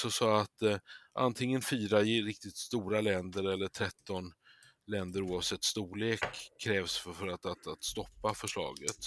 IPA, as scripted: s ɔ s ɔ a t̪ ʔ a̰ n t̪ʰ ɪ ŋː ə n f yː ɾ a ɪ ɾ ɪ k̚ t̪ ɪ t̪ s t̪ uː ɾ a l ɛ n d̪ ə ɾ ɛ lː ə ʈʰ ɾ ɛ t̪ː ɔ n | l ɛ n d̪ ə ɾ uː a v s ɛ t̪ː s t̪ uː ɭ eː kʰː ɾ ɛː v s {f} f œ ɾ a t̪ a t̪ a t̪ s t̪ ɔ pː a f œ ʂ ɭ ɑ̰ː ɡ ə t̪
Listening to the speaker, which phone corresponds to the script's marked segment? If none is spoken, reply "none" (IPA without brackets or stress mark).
f